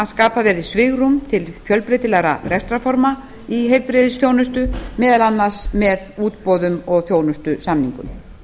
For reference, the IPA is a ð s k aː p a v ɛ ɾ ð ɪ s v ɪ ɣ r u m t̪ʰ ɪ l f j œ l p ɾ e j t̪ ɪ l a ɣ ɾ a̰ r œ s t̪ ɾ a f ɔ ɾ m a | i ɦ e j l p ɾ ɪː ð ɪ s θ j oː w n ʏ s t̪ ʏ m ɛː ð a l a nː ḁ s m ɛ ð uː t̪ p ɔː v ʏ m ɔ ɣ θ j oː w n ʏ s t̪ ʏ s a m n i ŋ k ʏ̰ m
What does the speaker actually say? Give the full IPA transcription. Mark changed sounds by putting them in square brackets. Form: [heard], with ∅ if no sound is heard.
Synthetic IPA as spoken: a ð s k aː p a v ɛ ɾ ð ɪ s v ɪ ɣ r u m t̪ʰ ɪ l f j œ l p ɾ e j t̪ ɪ l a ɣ ɾ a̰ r [ɛ] s t̪ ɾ a f ɔ ɾ m a | i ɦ e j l p ɾ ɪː ð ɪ s θ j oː w n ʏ s t̪ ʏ m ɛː ð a l a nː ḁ s m ɛ ð uː t̪ p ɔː [ð] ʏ m ɔ ɣ θ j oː w n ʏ s t̪ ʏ s a m n i ŋ k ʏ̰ m